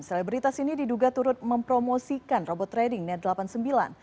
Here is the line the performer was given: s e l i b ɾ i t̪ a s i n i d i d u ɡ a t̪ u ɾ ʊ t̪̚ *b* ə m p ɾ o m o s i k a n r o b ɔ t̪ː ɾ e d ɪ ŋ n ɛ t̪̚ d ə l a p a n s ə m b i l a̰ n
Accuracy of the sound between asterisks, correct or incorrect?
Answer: incorrect: m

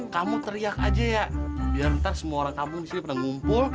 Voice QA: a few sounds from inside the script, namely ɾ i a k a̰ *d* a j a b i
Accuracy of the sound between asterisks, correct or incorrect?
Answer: incorrect: d͡ʒ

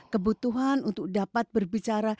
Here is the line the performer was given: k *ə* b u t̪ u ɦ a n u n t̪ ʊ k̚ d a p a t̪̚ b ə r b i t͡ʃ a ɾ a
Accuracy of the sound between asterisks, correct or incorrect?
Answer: correct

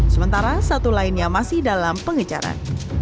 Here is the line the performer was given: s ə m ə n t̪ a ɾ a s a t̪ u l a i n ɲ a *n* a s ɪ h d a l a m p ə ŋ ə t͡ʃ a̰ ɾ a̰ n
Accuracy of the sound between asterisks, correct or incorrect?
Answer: incorrect: m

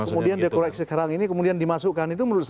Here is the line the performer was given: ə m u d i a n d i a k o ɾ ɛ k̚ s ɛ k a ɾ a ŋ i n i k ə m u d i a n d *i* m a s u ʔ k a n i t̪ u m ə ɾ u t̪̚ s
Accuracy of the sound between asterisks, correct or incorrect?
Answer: correct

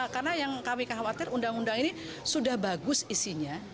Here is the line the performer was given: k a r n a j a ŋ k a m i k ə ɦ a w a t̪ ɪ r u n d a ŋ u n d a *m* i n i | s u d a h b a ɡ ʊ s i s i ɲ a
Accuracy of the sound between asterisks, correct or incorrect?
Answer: incorrect: ŋ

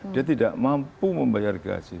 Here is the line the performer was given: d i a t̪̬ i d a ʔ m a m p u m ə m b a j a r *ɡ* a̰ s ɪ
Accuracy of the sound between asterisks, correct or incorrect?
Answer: correct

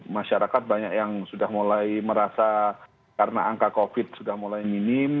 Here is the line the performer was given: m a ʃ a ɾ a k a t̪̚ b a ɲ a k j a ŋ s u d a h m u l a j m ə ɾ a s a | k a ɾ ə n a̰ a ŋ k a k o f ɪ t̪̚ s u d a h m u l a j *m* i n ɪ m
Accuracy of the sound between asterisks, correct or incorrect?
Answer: correct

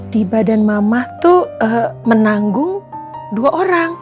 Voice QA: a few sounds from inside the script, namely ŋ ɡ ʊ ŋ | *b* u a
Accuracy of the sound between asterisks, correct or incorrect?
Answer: incorrect: d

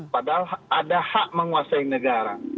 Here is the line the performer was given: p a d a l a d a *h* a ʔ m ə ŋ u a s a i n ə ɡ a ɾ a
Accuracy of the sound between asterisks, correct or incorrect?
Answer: correct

